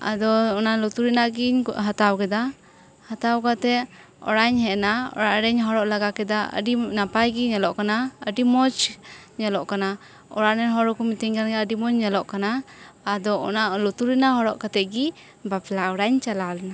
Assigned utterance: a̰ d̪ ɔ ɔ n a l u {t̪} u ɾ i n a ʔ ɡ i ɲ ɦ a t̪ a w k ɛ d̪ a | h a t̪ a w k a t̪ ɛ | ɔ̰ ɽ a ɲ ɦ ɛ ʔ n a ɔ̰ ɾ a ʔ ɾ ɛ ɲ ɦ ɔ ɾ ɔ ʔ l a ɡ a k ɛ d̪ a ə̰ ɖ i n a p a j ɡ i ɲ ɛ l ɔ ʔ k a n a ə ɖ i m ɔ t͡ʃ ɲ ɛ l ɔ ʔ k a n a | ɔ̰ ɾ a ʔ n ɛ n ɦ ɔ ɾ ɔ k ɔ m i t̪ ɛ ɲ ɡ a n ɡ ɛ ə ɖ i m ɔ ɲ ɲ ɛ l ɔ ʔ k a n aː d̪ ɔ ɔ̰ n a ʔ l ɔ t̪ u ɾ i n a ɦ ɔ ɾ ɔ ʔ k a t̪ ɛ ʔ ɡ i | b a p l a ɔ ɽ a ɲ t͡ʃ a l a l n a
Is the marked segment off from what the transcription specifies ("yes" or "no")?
no